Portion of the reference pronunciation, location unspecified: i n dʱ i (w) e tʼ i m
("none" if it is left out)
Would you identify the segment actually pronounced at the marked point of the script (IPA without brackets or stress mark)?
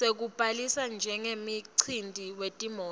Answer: w